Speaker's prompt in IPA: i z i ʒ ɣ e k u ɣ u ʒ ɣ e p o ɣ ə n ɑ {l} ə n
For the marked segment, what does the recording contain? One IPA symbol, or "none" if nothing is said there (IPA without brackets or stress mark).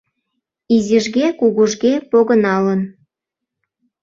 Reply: l